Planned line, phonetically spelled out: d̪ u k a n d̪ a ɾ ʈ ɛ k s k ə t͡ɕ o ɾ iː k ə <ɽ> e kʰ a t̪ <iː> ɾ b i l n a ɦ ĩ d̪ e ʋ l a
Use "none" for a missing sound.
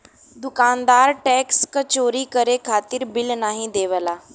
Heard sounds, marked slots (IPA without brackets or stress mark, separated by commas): ɾ, iː